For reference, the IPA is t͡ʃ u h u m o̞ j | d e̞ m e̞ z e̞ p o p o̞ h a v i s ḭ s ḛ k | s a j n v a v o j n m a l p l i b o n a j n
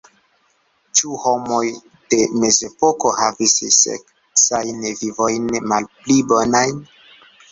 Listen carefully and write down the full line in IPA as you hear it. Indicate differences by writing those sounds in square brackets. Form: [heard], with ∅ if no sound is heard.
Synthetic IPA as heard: t͡ʃ u h [o] m o̞ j | d e̞ m e̞ z e̞ p o [k] o̞ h a v i s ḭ s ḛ k | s a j n v [i] v o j n m a l p l i b o n a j n